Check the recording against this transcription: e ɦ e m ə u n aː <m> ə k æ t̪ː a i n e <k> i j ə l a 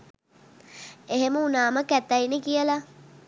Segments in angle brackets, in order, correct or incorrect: correct, correct

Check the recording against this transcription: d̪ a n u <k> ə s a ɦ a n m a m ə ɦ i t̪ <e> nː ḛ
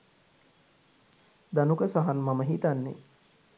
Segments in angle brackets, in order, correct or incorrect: correct, incorrect: a

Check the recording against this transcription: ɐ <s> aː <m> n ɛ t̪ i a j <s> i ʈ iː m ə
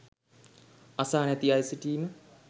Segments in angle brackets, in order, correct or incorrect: correct, incorrect: none, correct

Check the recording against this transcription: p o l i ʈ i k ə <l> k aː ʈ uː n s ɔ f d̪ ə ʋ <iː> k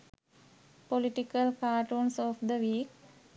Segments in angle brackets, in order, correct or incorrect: correct, correct

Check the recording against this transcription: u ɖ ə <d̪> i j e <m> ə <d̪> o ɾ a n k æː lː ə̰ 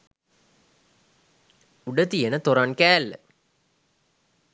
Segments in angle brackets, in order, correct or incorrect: incorrect: t̪, incorrect: n, incorrect: t̪

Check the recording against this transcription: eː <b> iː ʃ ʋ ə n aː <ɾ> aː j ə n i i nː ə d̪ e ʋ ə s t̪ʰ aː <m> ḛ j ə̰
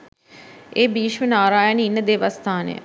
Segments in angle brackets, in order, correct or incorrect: correct, correct, incorrect: n

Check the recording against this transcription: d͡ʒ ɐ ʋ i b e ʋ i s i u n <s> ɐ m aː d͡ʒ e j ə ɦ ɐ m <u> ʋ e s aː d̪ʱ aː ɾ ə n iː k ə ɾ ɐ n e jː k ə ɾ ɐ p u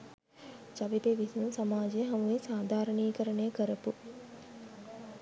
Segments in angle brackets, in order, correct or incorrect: correct, correct

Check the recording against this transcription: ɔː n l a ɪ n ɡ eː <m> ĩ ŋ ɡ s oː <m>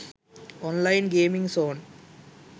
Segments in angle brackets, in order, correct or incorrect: correct, incorrect: n

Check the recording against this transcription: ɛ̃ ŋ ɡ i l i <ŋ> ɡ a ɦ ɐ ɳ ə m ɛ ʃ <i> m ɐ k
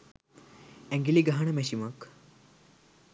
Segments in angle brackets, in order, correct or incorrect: incorrect: none, correct

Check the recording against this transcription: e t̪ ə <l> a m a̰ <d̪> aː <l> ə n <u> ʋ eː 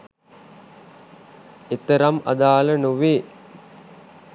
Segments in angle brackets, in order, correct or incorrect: incorrect: ɾ, correct, correct, correct

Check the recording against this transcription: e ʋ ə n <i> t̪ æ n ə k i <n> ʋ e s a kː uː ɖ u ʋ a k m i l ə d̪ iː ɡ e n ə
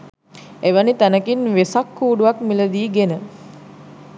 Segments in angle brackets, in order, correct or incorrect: correct, correct

